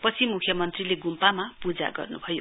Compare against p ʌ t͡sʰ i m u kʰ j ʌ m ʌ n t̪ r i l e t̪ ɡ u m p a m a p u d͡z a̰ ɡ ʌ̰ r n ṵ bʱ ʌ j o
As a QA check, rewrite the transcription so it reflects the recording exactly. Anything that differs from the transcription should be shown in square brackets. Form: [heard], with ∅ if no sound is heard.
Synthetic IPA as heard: p ʌ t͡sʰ i m u kʰ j ʌ m ʌ n t̪ r i l e [∅] ɡ u m p a m a p u d͡z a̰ ɡ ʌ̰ r n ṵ bʱ ʌ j o

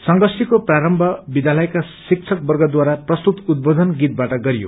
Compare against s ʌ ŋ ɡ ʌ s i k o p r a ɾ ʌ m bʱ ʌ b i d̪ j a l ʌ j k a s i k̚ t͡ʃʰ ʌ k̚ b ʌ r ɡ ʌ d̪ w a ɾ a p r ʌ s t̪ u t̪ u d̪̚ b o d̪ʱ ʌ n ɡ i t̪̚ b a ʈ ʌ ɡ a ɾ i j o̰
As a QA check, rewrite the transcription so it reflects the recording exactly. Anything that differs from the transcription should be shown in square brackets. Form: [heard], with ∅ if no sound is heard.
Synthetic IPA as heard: s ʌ ŋ ɡ ʌ s i k o p r a ɾ ʌ m bʱ ʌ b i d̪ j a l ʌ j k a s i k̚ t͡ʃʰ ʌ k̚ b ʌ r ɡ ʌ d̪ w a ɾ a p r ʌ s t̪ u t̪ u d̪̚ b o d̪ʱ ʌ n ɡ i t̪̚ b a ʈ ʌ ɡ [ʌ] ɾ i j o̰

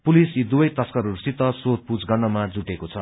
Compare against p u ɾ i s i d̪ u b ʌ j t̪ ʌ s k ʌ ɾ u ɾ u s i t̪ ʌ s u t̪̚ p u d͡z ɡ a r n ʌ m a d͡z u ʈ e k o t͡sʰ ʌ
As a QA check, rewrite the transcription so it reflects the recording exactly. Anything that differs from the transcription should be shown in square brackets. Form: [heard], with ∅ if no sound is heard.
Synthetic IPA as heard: p u [l] i s i d̪ u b ʌ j t̪ ʌ s k ʌ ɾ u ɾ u s i t̪ ʌ s [o] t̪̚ p u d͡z ɡ [ʌ] r n ʌ m a d͡z u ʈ e k o t͡sʰ ʌ

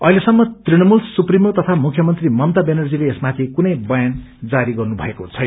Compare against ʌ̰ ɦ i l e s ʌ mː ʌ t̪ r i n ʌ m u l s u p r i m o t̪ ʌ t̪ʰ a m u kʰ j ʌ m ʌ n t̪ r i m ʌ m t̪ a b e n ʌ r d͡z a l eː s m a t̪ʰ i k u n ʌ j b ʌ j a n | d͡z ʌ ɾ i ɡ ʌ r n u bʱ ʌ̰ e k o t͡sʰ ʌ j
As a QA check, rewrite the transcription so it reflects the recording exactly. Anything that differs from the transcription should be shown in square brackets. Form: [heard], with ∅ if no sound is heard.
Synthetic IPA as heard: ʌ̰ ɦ i l e s ʌ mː ʌ t̪ r i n ʌ m u l s u p r i m o t̪ ʌ t̪ʰ a m u kʰ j ʌ m ʌ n t̪ r i m ʌ m t̪ a b e n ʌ r d͡z [i] l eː s m a t̪ʰ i k u n ʌ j b ʌ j a n | d͡z [a] ɾ i ɡ ʌ r n u bʱ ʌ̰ e k o t͡sʰ ʌ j

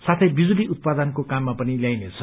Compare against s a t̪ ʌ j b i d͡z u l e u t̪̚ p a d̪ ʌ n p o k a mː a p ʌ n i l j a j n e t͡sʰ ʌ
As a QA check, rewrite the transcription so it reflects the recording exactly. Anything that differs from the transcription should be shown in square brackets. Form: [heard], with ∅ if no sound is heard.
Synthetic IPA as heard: s a [t̪ʰ] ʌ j b i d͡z u l [i] u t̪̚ p a d̪ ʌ n [k] o k a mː a p ʌ n i l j a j n e t͡sʰ ʌ

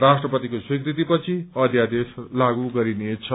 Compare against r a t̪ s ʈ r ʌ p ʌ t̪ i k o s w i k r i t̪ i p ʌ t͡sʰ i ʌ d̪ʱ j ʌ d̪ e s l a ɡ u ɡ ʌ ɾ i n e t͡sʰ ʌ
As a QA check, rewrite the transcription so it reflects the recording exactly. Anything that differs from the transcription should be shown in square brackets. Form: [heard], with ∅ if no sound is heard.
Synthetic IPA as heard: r a [∅] s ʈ r ʌ p ʌ t̪ i k o s w i k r i t̪ i p ʌ t͡sʰ i ʌ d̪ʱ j [a] d̪ e s l a ɡ u ɡ ʌ ɾ i n e t͡sʰ ʌ

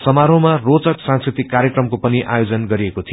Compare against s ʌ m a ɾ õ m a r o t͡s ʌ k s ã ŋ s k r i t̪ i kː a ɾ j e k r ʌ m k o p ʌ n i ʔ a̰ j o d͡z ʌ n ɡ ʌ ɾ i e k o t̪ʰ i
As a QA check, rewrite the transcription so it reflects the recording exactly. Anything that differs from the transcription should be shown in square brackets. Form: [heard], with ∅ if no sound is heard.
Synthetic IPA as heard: s ʌ m a ɾ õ m a r o t͡s ʌ k s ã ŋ s k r i t̪ i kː a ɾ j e k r ʌ m k o p ʌ n i ʔ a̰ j o d͡z ʌ n ɡ ʌ ɾ i e k o t̪ʰ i

